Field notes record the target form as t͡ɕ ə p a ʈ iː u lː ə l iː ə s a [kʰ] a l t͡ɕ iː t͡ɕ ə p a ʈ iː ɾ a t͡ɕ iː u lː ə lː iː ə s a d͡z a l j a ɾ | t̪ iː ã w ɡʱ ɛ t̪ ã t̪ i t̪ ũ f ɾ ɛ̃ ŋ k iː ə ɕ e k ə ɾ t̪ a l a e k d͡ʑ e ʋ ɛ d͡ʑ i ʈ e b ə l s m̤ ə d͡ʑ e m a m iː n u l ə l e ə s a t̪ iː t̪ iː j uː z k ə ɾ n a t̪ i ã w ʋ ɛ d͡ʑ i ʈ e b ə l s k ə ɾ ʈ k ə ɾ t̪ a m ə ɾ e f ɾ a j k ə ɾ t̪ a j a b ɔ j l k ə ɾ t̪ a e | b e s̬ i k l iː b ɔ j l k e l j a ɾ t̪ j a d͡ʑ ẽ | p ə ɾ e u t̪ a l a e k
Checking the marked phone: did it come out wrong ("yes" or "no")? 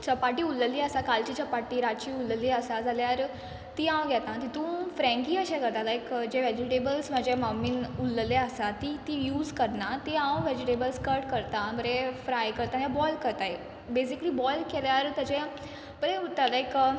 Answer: yes